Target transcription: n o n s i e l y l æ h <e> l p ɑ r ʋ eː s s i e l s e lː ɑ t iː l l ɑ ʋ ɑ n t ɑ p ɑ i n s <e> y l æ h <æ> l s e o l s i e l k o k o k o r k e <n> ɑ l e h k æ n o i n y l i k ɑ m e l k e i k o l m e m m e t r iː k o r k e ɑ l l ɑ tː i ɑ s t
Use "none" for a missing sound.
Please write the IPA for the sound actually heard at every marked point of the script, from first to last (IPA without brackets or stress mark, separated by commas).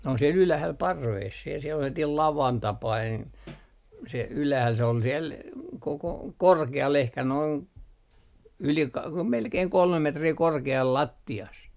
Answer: æ, e, æ, none